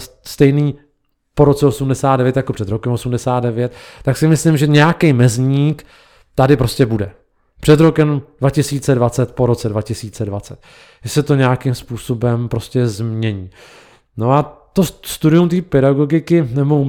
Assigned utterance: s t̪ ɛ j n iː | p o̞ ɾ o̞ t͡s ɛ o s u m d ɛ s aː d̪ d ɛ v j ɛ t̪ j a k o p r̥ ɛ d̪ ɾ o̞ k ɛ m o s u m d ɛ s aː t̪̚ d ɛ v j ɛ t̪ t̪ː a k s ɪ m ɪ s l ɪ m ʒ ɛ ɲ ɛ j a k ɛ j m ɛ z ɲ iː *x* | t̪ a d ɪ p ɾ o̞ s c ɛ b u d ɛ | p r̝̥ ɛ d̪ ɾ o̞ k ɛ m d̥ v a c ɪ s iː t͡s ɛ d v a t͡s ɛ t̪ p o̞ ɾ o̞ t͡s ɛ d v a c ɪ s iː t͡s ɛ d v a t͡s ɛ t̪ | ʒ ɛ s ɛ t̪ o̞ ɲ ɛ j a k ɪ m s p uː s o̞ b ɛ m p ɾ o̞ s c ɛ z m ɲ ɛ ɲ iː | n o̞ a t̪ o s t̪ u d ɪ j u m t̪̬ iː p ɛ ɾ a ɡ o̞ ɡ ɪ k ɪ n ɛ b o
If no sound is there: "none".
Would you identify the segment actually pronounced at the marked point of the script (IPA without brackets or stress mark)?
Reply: k